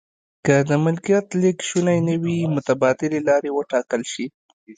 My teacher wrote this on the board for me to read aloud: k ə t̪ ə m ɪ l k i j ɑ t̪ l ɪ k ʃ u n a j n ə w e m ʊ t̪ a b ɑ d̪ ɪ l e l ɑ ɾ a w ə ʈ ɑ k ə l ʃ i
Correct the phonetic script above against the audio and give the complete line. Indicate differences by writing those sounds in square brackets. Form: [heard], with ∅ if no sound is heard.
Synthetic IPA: k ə [d̪] ə m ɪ l k i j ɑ t̪ l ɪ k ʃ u n a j n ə w [i] m ʊ t̪ a b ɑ d̪ ɪ l e l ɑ ɾ [e] w ə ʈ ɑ k ə l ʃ i